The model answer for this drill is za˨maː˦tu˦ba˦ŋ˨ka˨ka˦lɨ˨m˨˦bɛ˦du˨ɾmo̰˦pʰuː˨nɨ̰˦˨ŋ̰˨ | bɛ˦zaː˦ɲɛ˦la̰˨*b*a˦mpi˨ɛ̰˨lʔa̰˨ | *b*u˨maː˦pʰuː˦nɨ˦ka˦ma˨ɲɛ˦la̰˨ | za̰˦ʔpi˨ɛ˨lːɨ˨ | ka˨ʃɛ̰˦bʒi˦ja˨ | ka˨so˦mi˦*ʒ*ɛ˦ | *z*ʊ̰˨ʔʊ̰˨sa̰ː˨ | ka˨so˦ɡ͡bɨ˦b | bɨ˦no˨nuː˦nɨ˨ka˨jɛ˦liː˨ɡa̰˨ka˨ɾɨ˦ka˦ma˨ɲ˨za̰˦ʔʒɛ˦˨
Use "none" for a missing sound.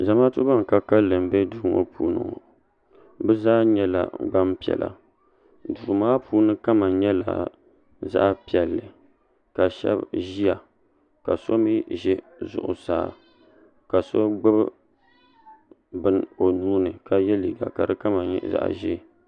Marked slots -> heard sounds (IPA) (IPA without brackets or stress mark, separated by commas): ɡ͡b, d, ʒ, z